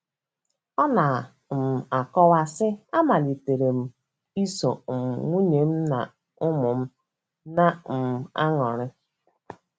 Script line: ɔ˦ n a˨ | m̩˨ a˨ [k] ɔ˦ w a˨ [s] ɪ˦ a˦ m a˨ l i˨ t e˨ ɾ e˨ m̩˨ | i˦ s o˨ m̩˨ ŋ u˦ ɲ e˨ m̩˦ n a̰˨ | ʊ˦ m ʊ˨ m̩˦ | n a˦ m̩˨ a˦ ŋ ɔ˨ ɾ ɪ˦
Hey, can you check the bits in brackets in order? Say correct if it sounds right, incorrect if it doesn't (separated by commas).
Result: correct, correct